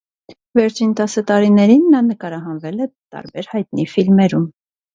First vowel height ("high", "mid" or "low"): mid